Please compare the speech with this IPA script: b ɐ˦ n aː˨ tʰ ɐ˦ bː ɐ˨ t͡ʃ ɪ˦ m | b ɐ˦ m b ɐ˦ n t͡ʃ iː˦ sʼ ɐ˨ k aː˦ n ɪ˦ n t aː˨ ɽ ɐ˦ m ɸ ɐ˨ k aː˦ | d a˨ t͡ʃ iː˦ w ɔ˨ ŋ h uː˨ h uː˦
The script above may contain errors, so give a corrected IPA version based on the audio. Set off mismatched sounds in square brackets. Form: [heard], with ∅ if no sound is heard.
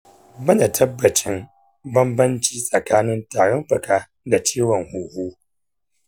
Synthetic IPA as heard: b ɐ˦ n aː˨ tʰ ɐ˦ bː ɐ˨ t͡ʃ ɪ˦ m | b ɐ˦ m b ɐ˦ n t͡ʃ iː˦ sʼ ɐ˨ k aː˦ n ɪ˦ n t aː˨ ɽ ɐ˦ m ɸ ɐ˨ k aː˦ | d a˨ t͡ʃ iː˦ w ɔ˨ ŋ h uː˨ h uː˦